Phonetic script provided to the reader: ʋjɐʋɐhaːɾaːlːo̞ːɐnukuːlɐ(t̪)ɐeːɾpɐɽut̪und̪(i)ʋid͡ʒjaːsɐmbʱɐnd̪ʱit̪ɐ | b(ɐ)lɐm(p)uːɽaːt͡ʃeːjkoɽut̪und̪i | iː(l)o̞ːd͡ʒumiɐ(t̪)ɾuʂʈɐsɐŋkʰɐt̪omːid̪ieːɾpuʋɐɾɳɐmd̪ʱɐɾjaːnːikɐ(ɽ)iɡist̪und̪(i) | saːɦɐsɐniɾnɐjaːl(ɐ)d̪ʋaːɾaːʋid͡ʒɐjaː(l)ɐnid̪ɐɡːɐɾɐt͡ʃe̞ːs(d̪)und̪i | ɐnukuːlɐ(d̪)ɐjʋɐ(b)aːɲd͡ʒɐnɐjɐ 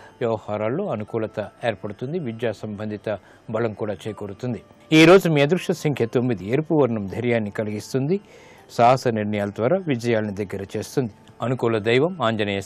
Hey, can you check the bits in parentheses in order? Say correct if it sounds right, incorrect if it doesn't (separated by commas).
correct, correct, correct, incorrect, incorrect, incorrect, incorrect, correct, correct, correct, incorrect, correct, incorrect